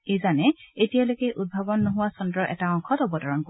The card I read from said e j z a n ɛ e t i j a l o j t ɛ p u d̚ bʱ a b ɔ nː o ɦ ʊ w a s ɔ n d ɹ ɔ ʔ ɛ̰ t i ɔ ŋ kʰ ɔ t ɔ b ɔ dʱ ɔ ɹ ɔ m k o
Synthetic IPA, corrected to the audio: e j z a n ɛ e t i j a l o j k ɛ ʔ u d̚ bʱ a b ɔ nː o ɦ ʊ w a s ɔ n d ɹ ɔ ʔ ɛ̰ t a ɔ ŋ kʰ ɔ t ɔ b ɔ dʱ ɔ ɹ ɔ n k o